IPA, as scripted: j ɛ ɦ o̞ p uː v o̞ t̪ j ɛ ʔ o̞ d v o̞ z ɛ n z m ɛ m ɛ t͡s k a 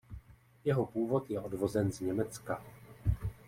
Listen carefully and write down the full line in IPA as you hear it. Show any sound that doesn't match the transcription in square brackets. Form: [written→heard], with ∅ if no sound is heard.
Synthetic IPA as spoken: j ɛ ɦ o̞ p uː v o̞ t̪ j ɛ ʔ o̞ d v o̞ z ɛ n z [m→ɲ] ɛ m ɛ t͡s k a